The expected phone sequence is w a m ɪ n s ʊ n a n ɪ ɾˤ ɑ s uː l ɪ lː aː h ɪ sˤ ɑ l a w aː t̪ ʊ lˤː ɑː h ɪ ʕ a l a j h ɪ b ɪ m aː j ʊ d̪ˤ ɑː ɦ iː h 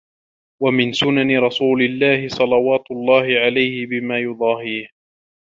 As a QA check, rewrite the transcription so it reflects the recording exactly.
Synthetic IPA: w a m ɪ n s ʊ n a n ɪ ɾˤ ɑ s uː l ɪ lː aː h ɪ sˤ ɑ l ɑ w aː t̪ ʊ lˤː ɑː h ɪ ʕ a l a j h ɪ b ɪ m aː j ʊ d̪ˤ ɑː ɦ iː h